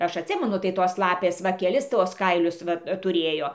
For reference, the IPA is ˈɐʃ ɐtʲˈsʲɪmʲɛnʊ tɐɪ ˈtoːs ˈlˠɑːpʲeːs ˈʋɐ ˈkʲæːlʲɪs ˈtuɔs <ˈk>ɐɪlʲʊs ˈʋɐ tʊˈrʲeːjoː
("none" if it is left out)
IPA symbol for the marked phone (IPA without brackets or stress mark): k